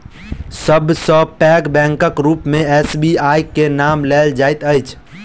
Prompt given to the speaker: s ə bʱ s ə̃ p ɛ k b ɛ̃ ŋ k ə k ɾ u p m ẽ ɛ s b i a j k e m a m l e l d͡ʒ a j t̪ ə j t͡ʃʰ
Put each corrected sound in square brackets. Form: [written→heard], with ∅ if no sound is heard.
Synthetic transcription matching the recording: s ə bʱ s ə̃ p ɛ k b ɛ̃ ŋ k ə k ɾ u p m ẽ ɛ s b i a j k e [m→n] a m l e l d͡ʒ a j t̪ ə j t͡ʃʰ